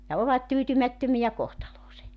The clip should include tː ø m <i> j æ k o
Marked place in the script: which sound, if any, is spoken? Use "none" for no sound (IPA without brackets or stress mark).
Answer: i